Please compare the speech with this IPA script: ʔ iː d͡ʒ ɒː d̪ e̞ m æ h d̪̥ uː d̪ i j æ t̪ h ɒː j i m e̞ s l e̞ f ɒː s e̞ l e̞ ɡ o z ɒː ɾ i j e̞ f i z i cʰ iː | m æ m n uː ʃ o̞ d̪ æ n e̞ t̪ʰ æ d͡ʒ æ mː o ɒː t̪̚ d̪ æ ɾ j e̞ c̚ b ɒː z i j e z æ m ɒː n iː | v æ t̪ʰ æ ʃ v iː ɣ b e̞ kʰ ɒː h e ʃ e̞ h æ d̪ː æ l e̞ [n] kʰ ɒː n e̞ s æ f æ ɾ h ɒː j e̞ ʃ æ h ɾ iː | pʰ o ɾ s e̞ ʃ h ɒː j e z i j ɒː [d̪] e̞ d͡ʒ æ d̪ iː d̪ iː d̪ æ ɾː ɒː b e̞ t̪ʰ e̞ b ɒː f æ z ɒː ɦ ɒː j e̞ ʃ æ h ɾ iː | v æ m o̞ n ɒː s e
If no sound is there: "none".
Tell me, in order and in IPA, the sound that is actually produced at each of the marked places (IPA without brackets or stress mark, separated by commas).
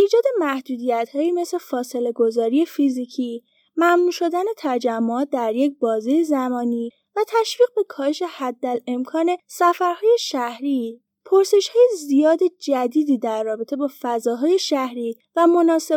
m, d̪